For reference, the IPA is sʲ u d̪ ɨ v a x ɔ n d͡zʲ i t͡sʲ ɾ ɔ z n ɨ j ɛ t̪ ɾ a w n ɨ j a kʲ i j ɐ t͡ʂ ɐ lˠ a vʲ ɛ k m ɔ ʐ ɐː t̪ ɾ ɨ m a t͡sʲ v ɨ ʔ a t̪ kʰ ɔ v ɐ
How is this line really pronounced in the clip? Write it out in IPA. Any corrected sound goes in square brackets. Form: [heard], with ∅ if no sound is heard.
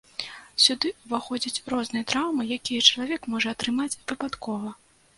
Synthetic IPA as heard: sʲ u d̪ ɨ v a x ɔ [∅] d͡zʲ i t͡sʲ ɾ ɔ z n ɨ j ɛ t̪ ɾ a w [m] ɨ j a kʲ i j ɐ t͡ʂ ɐ lˠ a vʲ ɛ k m ɔ ʐ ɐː t̪ ɾ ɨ m a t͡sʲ v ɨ [p] a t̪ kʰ ɔ v ɐ